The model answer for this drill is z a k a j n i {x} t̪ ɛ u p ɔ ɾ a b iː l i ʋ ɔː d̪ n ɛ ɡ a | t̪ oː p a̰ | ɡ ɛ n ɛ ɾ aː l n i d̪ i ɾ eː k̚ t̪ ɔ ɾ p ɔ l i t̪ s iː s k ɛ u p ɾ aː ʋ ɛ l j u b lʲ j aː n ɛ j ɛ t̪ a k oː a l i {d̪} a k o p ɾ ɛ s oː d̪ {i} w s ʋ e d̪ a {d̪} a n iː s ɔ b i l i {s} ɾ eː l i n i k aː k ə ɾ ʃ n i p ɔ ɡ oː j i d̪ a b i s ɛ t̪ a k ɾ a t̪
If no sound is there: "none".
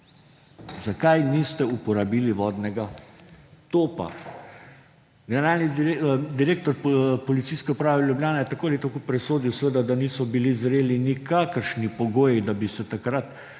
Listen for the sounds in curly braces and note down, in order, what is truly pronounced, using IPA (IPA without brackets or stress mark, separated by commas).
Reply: s, t̪, i, d̪, z